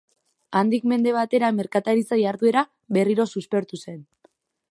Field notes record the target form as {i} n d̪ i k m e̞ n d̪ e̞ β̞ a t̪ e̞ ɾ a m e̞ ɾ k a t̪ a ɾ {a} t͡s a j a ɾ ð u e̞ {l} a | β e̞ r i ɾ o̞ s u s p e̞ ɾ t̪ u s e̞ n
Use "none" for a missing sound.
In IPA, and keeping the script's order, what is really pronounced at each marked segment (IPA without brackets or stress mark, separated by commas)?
a, i, ɾ